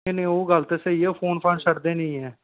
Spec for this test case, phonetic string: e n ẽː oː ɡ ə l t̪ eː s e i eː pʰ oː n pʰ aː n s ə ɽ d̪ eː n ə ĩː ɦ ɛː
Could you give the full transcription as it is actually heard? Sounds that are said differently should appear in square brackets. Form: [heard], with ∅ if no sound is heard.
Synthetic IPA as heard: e n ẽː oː ɡ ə l t̪ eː s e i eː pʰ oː n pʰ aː n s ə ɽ d̪ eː n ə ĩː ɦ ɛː